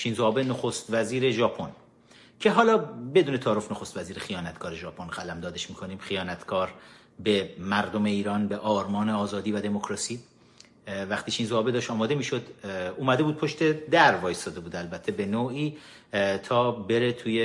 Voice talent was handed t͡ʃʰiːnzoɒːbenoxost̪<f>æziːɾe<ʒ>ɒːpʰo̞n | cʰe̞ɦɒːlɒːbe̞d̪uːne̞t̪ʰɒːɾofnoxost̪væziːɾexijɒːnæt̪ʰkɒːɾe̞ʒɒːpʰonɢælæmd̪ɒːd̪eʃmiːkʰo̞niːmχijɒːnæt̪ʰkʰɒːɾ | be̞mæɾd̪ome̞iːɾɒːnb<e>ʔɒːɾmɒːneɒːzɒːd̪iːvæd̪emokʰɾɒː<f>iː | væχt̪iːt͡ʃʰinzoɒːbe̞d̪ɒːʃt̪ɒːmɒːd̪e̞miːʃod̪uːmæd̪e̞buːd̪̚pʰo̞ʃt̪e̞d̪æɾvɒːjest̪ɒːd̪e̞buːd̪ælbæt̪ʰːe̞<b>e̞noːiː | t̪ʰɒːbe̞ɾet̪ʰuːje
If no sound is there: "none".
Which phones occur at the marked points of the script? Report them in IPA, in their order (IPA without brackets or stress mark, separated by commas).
v, ʒ, e, s, b